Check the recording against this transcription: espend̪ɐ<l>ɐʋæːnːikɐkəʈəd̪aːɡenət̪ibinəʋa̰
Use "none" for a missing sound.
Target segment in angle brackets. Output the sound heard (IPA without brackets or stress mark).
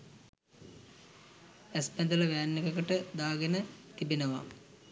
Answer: l